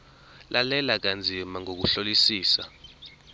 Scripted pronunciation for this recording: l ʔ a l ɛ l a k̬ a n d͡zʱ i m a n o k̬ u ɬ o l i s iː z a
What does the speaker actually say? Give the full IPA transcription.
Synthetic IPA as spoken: l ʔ a l ɛ l a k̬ a n d͡zʱ i m a ŋ o k̬ u ɬ o l i s iː s a